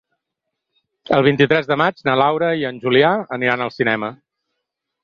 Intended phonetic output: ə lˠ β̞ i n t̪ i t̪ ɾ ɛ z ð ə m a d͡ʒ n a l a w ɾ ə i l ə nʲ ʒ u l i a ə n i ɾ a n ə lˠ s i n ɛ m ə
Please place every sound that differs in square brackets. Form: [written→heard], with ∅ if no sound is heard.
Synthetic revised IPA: ə lˠ β̞ i n t̪ i t̪ ɾ ɛ z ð ə m a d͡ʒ n a l a w ɾ ə i [l→∅] ə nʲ ʒ u l i a ə n i ɾ a n ə lˠ s i n ɛ m ə